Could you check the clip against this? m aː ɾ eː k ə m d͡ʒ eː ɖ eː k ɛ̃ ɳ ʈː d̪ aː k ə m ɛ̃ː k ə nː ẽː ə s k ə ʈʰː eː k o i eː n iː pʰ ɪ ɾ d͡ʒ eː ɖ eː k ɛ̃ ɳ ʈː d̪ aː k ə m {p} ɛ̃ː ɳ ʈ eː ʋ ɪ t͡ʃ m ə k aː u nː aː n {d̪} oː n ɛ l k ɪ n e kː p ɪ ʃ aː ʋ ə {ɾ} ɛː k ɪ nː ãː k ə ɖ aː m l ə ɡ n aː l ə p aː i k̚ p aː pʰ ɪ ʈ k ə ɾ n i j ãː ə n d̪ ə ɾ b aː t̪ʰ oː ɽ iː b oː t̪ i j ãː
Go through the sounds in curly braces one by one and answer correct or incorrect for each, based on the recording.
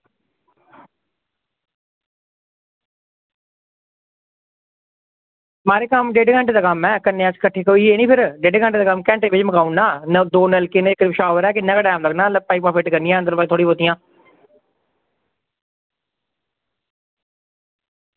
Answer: incorrect, correct, correct

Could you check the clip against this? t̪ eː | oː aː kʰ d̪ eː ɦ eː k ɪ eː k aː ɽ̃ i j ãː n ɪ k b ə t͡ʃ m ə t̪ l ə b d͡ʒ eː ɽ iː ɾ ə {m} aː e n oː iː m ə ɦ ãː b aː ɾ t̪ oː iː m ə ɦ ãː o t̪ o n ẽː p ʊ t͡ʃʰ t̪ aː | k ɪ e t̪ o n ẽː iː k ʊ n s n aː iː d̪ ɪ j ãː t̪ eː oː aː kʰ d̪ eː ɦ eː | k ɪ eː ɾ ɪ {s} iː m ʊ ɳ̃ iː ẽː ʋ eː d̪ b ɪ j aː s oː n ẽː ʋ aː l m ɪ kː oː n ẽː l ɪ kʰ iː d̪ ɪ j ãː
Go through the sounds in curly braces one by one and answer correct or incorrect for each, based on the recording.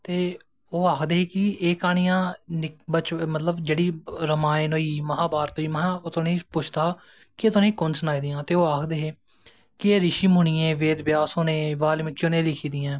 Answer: correct, incorrect

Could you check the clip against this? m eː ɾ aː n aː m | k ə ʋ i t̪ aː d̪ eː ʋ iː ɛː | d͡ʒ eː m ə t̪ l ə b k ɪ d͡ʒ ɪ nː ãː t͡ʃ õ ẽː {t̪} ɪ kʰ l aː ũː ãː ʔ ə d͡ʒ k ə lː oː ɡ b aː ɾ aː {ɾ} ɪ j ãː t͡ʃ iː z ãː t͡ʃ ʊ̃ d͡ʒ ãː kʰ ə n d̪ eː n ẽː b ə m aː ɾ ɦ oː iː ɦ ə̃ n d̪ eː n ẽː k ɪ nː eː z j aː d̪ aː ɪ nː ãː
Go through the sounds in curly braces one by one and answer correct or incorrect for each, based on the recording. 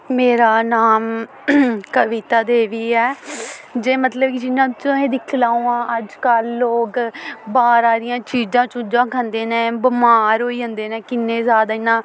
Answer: incorrect, correct

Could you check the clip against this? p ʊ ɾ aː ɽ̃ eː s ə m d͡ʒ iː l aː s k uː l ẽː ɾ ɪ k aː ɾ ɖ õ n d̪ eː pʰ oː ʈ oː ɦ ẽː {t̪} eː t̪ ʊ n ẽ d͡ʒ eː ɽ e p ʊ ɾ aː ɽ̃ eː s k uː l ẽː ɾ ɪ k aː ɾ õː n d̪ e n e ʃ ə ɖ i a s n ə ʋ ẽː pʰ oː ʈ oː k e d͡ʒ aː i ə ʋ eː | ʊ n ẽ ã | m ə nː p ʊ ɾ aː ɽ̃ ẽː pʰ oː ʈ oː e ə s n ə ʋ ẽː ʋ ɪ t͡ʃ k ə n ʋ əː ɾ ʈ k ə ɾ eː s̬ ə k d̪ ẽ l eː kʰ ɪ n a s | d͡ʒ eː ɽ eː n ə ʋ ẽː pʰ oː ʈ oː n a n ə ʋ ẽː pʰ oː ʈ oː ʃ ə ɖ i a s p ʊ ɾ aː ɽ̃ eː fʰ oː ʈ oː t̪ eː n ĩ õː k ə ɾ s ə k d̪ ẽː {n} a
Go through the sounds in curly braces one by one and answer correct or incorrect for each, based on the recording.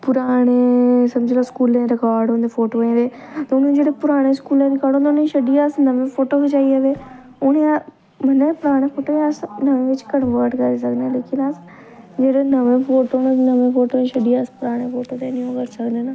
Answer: incorrect, correct

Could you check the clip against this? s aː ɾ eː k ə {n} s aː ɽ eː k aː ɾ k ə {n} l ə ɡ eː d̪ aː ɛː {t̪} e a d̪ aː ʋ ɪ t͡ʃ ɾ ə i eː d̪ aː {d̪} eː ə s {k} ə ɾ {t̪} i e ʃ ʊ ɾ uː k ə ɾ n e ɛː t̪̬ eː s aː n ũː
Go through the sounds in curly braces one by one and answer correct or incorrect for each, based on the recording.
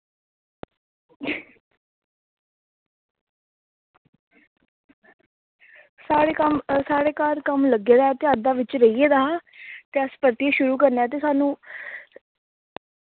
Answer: incorrect, incorrect, correct, incorrect, incorrect, correct

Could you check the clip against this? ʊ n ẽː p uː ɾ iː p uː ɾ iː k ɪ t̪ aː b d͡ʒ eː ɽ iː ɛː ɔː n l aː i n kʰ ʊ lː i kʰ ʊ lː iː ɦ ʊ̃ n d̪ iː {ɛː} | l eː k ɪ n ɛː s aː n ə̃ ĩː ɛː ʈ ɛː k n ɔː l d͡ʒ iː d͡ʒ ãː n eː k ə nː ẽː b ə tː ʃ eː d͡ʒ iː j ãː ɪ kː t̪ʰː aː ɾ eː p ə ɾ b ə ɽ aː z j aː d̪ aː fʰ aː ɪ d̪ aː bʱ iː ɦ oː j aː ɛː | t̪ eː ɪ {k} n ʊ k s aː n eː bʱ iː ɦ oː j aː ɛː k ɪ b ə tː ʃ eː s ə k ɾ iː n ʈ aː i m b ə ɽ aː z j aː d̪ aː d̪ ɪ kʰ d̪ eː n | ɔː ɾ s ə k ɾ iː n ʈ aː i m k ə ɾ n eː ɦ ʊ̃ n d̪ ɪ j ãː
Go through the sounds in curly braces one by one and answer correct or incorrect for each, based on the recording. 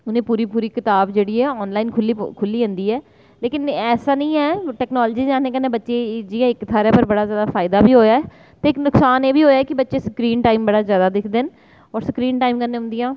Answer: correct, correct

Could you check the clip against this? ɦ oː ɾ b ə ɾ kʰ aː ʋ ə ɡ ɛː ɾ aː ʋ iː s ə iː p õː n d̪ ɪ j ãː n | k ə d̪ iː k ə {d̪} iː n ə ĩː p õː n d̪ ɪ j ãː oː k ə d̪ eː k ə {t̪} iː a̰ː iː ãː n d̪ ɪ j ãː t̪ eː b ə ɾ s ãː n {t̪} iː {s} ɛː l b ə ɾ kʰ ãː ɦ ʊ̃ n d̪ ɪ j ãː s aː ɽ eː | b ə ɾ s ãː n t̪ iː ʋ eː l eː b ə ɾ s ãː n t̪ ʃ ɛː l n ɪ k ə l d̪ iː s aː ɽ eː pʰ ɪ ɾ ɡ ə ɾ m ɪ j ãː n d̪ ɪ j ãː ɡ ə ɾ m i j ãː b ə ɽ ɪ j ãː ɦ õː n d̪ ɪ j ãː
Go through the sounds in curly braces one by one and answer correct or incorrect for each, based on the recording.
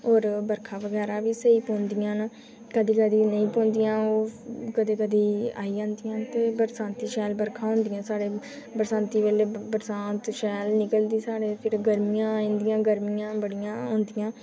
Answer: correct, incorrect, correct, incorrect

